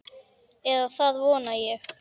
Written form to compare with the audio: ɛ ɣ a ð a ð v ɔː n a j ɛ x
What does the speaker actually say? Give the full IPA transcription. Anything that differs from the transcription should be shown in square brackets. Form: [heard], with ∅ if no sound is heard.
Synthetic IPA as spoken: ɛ [ð] a [θ] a ð v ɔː n a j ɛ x